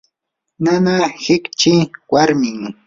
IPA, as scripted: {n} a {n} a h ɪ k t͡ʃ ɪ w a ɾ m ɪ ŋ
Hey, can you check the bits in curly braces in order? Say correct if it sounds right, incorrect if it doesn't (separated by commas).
correct, correct